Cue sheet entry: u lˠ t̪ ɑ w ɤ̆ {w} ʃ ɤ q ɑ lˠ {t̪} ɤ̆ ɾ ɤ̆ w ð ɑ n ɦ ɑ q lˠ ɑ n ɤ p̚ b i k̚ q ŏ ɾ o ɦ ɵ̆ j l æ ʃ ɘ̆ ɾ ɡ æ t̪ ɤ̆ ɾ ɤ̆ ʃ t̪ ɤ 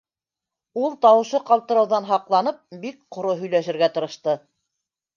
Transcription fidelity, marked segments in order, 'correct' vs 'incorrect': incorrect: none, correct

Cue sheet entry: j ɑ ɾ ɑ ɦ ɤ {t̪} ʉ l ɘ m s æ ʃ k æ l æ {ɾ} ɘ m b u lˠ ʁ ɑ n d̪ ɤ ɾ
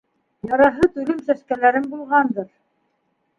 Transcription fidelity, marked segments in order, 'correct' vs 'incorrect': correct, correct

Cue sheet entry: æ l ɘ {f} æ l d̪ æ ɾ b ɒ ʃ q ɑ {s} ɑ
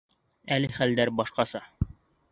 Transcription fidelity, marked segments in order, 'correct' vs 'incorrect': incorrect: χ, correct

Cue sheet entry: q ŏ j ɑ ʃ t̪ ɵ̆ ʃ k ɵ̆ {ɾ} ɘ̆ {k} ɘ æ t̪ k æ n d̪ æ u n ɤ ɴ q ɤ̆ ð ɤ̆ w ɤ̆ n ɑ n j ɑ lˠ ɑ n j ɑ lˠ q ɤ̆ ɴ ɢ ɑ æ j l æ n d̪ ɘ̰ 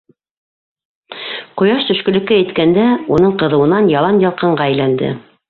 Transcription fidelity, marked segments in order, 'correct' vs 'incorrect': incorrect: l, correct

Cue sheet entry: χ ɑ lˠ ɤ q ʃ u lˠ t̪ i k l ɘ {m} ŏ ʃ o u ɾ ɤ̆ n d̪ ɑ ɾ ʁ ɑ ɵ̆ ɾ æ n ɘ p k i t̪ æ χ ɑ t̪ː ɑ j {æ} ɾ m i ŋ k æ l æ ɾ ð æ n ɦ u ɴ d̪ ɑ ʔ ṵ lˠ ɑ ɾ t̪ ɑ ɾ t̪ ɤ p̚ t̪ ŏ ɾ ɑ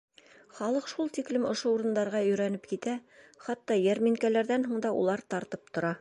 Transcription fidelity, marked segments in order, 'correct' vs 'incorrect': correct, correct

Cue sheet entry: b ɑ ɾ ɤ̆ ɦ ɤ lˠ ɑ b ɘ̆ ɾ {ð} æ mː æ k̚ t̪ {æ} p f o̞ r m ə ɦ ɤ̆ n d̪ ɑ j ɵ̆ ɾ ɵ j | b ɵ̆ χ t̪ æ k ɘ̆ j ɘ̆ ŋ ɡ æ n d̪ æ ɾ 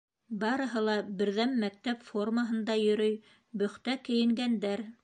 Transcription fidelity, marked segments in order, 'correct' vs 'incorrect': correct, correct

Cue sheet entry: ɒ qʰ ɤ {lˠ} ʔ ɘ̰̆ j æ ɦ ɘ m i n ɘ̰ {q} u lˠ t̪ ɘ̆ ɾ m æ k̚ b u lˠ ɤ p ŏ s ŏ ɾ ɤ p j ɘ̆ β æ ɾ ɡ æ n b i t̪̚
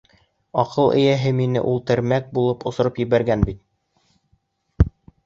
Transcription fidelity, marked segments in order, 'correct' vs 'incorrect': correct, incorrect: ʔ

